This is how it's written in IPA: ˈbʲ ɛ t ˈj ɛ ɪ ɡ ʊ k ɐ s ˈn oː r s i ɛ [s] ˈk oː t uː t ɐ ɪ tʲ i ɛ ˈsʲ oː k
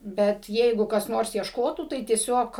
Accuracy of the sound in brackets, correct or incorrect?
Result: incorrect